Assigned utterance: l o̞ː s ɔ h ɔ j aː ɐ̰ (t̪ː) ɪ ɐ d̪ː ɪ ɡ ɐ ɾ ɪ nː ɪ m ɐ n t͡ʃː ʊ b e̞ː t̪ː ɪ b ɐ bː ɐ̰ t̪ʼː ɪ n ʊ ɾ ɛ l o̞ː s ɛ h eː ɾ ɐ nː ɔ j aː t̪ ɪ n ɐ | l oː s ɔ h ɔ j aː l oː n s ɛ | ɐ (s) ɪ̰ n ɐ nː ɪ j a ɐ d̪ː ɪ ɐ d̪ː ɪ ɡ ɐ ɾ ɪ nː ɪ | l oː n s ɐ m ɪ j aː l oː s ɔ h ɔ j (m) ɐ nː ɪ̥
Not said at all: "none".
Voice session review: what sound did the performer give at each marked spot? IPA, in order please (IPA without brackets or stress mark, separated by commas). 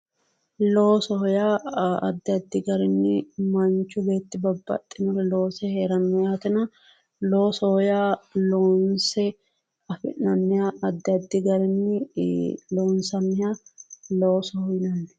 d̪ː, f, n